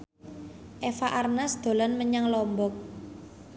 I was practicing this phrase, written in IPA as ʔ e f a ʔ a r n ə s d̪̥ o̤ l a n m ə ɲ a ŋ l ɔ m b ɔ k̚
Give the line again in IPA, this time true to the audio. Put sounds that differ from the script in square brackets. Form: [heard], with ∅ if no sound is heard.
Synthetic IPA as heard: ʔ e f a ʔ a r n [a] s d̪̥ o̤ l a n m ə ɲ a ŋ l ɔ m b ɔ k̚